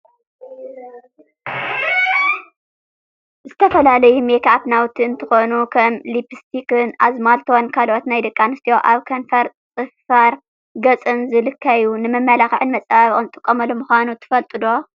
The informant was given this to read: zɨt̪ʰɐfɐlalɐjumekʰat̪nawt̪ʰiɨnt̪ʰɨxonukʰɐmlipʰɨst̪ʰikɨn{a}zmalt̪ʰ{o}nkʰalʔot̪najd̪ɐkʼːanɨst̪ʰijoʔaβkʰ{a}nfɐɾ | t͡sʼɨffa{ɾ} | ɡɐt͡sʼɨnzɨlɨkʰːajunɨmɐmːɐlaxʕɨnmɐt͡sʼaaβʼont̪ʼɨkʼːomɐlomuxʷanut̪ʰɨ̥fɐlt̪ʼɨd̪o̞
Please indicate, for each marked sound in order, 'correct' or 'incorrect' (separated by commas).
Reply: correct, correct, incorrect, correct